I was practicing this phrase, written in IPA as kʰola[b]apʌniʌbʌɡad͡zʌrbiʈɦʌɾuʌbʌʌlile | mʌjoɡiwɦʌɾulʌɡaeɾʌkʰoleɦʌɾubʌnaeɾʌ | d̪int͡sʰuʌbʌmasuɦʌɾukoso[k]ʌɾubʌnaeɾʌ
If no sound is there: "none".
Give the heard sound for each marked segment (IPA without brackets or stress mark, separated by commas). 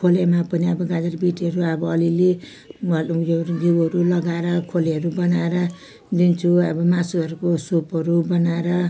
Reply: m, p